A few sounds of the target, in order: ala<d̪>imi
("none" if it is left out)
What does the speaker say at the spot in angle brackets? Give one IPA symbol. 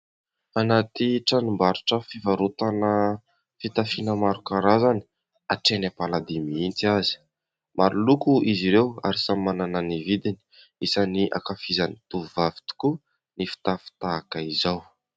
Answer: d̪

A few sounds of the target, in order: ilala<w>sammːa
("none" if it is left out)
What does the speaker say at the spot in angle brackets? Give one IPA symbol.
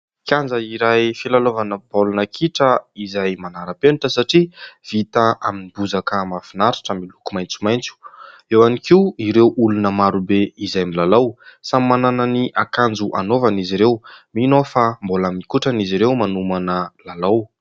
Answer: w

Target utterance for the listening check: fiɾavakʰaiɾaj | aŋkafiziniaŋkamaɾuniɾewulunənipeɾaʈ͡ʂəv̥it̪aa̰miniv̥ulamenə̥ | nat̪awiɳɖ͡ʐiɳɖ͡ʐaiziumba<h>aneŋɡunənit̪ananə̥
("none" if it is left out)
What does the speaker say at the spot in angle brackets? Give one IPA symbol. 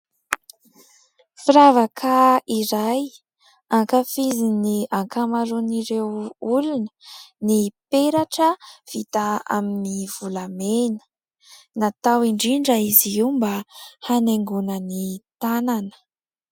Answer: h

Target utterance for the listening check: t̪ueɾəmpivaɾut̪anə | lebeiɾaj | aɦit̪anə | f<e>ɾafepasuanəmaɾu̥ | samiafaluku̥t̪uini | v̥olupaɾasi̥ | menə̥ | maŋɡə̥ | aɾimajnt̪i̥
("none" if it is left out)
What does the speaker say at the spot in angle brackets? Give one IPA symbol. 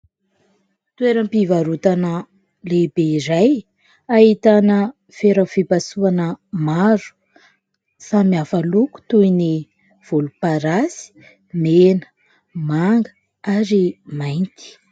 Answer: e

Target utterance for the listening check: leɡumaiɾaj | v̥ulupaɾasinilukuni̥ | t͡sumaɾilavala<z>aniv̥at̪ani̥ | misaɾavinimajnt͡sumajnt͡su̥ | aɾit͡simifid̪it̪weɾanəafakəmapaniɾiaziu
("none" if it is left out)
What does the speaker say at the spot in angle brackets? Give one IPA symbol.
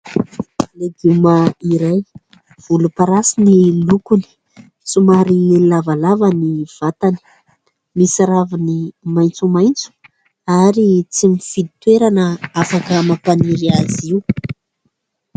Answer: v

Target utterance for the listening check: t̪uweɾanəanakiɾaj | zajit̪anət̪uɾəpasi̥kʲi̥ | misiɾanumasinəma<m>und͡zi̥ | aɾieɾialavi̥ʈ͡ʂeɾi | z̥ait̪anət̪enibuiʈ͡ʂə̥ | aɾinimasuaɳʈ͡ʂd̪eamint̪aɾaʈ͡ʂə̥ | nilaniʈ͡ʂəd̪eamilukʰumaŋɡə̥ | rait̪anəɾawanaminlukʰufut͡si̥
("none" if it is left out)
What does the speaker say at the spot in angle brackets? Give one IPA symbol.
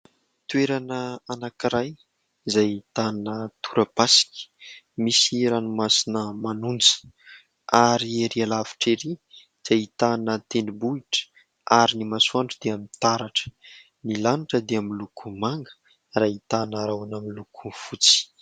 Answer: n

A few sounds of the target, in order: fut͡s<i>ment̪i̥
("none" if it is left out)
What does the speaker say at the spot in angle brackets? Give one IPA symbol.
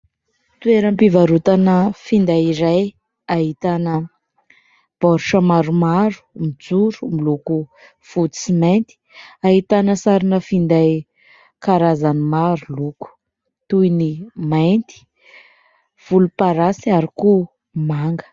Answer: i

